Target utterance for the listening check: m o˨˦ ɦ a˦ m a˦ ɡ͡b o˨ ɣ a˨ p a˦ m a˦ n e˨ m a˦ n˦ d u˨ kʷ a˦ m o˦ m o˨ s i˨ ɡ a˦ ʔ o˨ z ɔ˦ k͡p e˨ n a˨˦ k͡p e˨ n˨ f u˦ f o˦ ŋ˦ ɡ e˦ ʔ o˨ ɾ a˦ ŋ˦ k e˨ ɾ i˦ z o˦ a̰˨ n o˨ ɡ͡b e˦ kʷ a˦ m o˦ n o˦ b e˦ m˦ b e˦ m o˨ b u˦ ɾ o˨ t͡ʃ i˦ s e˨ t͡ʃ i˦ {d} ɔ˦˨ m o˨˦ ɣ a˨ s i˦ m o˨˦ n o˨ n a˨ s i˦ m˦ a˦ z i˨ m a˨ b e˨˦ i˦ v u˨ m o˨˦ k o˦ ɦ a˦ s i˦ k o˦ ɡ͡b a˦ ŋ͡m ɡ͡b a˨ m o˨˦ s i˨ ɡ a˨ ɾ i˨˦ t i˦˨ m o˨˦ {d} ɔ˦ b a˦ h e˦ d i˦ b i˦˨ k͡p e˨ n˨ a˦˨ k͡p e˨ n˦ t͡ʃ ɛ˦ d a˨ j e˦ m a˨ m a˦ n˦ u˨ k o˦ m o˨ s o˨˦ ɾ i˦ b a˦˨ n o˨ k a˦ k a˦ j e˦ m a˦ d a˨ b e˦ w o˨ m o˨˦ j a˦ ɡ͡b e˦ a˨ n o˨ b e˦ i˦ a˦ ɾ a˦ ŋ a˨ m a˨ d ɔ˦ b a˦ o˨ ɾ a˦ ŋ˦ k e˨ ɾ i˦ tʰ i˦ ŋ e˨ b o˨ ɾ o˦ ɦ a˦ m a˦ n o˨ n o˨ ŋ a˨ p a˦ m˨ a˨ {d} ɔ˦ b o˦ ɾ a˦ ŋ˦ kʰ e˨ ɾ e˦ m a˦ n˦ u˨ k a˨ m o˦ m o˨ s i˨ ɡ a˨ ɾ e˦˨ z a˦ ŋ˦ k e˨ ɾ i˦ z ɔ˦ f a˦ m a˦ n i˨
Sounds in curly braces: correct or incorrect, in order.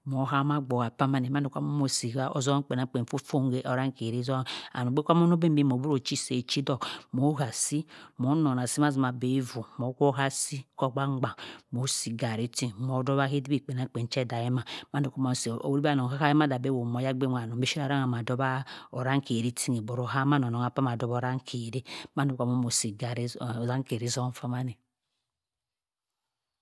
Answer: correct, correct, correct

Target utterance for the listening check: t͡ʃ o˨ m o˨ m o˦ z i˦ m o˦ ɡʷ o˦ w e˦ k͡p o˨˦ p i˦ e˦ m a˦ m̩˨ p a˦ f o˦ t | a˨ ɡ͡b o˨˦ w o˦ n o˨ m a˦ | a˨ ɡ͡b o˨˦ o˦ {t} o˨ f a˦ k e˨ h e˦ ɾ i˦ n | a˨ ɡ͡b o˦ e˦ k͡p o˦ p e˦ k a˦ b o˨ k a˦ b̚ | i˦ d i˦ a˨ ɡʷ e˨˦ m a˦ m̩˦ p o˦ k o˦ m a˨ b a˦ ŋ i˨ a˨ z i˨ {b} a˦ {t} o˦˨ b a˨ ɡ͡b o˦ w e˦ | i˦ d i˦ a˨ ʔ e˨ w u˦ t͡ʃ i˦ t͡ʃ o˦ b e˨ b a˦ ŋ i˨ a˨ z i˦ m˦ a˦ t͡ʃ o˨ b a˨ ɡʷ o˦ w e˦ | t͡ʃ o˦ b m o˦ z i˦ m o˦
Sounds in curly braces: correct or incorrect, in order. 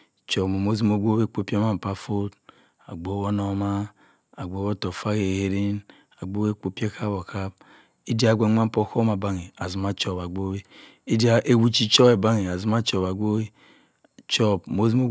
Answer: correct, incorrect, incorrect

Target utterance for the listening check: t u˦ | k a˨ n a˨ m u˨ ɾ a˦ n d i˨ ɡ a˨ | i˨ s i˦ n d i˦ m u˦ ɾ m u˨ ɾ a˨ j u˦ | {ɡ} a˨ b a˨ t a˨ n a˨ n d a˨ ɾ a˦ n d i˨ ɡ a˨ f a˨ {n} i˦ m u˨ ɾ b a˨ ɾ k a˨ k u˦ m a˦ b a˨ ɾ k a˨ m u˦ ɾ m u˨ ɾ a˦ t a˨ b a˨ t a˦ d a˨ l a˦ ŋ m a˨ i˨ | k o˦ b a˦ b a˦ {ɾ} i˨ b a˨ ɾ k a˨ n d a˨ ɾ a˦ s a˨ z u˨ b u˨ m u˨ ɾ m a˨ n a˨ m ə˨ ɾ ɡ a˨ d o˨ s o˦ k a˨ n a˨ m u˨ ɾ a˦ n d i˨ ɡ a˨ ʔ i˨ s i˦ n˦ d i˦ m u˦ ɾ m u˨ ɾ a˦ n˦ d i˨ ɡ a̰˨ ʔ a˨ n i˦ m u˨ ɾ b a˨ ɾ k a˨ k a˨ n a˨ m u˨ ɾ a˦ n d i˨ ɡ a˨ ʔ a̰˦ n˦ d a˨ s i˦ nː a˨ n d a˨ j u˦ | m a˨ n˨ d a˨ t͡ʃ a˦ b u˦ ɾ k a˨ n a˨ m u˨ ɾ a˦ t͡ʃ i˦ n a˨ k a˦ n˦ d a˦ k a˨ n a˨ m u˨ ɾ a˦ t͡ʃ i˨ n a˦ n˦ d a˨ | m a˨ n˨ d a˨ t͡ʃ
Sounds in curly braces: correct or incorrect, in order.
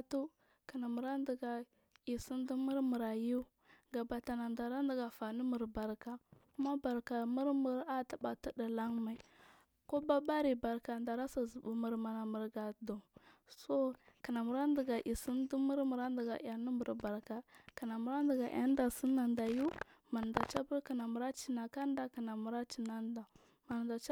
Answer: correct, correct, correct

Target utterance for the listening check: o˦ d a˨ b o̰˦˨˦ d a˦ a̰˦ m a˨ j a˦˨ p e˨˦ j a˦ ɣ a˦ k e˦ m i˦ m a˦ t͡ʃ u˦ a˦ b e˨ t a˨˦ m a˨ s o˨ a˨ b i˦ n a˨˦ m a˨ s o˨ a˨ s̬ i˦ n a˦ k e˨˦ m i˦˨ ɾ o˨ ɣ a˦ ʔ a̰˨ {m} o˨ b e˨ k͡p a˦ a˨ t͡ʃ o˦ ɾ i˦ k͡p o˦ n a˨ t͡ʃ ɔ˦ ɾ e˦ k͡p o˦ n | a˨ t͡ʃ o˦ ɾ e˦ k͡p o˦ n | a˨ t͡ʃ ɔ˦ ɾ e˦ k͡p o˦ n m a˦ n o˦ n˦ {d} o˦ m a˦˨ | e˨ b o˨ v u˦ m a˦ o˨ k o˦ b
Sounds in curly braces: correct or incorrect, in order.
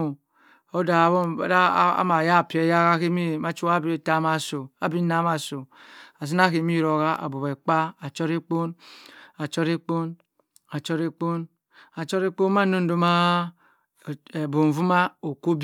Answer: incorrect, correct

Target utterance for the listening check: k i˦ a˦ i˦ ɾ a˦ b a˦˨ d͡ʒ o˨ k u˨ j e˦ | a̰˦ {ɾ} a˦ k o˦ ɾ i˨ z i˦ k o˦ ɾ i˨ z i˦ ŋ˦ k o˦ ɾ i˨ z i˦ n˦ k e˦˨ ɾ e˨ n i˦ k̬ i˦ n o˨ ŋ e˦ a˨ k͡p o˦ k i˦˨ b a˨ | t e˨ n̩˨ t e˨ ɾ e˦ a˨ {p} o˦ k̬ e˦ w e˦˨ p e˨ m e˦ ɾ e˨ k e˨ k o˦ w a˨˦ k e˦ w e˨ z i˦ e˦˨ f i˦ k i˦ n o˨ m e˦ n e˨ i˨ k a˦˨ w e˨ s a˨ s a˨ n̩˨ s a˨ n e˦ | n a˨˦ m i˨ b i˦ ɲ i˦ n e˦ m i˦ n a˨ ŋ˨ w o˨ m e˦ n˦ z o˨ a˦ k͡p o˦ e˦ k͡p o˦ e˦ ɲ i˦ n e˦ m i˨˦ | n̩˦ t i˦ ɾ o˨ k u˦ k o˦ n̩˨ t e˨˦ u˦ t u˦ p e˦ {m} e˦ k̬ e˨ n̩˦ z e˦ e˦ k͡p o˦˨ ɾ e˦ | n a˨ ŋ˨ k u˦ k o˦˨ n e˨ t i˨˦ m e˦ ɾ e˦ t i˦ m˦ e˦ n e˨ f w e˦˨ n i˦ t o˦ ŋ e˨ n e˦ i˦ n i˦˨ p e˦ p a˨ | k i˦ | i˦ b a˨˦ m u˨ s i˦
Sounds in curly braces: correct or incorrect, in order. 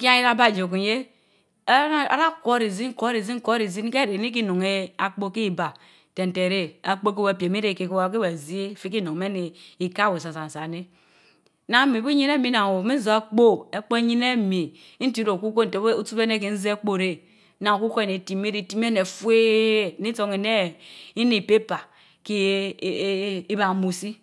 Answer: correct, incorrect, incorrect

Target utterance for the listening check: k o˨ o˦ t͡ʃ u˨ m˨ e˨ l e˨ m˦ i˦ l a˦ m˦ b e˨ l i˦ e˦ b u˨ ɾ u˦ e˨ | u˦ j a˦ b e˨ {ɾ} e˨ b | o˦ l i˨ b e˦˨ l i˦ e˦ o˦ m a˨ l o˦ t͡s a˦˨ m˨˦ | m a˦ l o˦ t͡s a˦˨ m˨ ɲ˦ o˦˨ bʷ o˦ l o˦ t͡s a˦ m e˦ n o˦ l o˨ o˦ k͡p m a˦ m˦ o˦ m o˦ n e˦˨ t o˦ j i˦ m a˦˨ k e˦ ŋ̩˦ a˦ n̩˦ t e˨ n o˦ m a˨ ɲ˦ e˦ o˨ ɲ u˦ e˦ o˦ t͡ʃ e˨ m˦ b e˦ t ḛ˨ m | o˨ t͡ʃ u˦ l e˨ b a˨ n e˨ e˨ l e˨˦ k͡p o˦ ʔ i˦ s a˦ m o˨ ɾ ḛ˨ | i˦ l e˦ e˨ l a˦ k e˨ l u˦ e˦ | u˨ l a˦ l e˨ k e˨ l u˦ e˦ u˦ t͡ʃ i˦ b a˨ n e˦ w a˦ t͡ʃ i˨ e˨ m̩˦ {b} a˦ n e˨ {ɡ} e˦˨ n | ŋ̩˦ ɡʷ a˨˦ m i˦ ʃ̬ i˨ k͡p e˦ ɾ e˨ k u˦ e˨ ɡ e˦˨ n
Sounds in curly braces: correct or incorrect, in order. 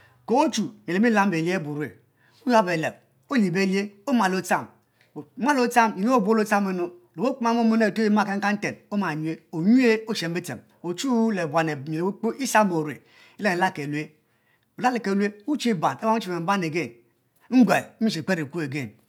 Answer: incorrect, correct, correct

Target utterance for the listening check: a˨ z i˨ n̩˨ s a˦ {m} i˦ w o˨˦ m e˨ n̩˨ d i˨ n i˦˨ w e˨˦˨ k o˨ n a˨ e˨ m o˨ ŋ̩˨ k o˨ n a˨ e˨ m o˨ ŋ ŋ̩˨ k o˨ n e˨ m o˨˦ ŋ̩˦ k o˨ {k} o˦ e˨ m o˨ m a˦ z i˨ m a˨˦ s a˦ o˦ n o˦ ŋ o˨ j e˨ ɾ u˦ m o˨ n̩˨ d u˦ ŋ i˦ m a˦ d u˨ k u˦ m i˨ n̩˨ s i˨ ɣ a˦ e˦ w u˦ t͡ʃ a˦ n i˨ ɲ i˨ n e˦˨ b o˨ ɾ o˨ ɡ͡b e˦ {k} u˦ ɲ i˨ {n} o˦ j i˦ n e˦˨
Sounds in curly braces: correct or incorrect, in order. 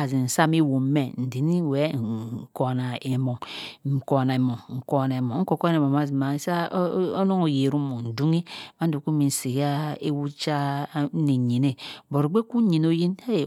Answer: correct, correct, correct, correct

